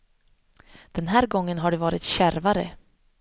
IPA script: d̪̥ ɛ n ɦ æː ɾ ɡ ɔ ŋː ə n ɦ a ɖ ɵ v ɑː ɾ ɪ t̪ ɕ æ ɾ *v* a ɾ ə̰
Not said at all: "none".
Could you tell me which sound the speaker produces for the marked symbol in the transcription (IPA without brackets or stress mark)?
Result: v